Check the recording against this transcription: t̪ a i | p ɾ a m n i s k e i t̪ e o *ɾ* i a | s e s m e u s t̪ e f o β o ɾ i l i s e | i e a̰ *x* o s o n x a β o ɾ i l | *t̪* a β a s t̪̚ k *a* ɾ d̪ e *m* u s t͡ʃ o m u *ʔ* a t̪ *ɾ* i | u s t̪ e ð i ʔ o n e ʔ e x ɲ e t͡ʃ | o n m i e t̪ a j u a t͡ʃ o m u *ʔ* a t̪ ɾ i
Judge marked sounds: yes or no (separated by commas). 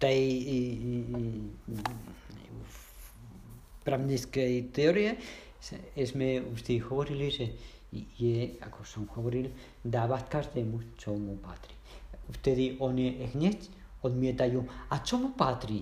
yes, no, no, yes, yes, no, yes, no